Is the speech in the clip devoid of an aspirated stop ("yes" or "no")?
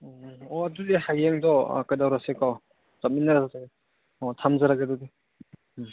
no